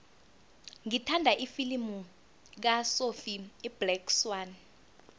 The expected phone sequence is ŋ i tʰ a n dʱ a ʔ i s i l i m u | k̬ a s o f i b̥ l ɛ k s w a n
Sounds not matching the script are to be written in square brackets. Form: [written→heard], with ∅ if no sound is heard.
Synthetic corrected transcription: ŋ i tʰ a n dʱ a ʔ i [s→f] i l i m u | k̬ a s o f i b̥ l ɛ k s w a n